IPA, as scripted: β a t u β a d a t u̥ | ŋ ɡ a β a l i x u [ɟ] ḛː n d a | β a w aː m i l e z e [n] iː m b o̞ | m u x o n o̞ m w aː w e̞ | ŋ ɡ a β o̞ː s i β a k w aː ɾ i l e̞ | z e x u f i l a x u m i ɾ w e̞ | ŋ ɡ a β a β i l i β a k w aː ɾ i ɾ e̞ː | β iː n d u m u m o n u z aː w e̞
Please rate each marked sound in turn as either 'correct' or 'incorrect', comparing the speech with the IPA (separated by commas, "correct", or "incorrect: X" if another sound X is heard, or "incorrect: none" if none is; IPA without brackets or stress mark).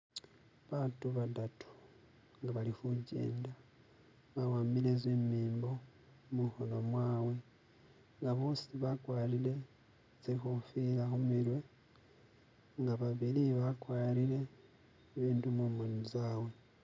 correct, incorrect: m